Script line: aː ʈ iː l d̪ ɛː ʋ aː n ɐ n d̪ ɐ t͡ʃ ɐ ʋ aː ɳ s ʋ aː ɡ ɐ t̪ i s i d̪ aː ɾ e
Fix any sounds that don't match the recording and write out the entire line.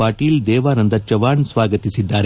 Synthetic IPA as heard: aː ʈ iː l d̪ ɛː ʋ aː n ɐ n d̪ ɐ t͡ʃ ɐ ʋ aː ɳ s ʋ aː ɡ ɐ t̪ i s i d̪ː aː ɾ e